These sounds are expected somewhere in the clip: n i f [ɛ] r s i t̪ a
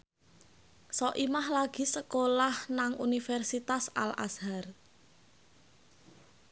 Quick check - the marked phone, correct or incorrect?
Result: correct